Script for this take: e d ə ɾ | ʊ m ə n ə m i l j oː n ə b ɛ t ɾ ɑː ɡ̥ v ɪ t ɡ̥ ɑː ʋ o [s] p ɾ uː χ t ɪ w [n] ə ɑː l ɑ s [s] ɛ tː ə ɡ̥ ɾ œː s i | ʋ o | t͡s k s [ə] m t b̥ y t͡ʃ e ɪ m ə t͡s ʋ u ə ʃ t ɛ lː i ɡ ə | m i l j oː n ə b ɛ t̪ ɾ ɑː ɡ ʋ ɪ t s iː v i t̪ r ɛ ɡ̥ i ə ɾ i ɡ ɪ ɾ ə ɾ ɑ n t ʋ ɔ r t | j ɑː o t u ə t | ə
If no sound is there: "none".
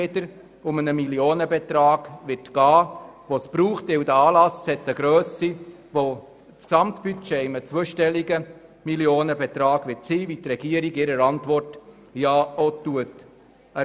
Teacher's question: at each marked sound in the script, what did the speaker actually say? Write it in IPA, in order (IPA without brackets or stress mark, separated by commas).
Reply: s, d, h, ɑ